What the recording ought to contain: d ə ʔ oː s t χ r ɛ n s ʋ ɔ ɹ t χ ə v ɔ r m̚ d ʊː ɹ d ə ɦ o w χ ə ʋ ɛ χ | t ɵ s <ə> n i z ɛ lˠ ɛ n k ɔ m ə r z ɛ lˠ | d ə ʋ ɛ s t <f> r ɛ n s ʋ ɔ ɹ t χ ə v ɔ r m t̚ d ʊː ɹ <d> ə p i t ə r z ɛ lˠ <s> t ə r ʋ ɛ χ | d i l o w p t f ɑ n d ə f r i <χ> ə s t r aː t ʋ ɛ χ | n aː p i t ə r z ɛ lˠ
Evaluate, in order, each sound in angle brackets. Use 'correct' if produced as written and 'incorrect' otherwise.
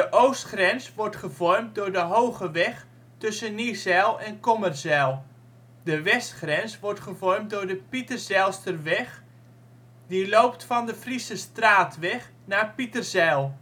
correct, incorrect, correct, correct, incorrect

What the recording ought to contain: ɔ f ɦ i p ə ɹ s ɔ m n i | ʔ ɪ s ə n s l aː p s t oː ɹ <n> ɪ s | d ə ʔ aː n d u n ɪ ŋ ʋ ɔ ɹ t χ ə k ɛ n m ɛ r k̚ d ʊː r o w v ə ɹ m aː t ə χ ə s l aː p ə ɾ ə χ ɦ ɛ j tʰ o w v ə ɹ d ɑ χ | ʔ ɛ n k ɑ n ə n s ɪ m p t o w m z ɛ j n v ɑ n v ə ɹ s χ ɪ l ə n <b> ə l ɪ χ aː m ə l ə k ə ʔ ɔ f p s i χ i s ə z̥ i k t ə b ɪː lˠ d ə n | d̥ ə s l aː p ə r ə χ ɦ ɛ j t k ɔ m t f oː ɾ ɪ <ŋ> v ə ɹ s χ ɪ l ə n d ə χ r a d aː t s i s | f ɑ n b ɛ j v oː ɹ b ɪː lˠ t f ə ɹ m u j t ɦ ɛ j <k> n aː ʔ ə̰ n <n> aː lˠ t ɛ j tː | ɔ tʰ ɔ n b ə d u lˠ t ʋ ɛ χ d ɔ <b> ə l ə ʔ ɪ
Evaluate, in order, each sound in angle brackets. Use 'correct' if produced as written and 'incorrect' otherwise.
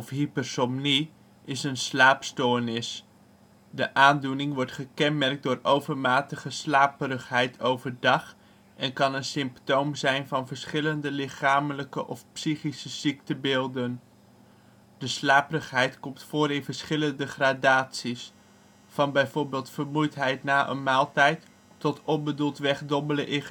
correct, incorrect, incorrect, incorrect, incorrect, correct

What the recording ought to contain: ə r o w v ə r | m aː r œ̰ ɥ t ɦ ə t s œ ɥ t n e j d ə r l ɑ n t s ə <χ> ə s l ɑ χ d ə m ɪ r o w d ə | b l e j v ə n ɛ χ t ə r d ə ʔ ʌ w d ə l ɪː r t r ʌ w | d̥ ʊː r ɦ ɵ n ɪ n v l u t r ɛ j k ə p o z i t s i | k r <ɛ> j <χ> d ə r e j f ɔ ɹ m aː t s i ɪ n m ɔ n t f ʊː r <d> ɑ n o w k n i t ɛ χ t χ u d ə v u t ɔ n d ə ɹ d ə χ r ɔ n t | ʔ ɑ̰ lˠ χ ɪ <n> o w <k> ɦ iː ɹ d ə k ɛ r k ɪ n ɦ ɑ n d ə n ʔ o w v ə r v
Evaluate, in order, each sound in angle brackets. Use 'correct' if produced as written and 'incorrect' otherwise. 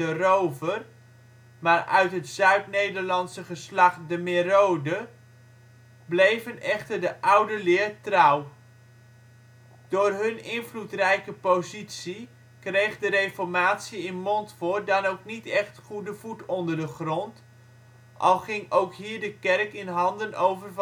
correct, incorrect, correct, correct, incorrect, correct

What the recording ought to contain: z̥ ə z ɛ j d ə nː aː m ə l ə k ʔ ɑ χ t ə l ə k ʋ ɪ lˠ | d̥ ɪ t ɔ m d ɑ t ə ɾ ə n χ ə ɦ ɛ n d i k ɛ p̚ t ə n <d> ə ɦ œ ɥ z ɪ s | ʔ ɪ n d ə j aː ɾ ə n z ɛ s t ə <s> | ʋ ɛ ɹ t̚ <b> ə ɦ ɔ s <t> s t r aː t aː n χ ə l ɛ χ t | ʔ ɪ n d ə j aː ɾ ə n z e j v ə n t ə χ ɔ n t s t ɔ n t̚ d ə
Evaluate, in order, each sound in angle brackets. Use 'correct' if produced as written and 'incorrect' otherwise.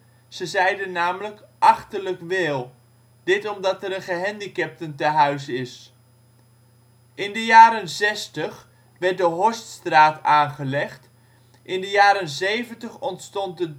incorrect, incorrect, incorrect, correct

